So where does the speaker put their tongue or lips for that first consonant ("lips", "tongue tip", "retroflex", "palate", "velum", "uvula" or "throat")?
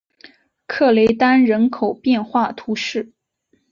velum